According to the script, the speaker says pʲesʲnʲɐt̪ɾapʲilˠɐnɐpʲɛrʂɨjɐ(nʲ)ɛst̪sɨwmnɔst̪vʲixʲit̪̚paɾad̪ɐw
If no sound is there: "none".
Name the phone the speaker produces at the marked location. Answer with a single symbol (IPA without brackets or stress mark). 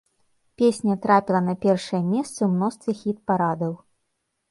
mʲ